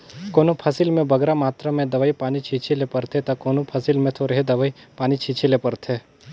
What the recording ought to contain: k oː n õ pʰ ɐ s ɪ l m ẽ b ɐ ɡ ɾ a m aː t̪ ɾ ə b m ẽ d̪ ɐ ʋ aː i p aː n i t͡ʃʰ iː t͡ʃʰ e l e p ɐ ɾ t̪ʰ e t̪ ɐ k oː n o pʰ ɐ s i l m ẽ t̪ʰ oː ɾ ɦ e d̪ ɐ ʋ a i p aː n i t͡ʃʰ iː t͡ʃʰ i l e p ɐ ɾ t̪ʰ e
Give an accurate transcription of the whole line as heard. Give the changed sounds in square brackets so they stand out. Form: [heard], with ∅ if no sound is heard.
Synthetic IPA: k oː n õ pʰ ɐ s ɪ l m ẽ b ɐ ɡ ɾ a m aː t̪ ɾ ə [∅] m ẽ d̪ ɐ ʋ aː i p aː n i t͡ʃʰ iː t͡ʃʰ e l e p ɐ ɾ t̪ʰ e t̪ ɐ k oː n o pʰ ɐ s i l m ẽ t̪ʰ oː ɾ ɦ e d̪ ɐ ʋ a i p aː n i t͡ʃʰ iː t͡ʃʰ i l e p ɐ ɾ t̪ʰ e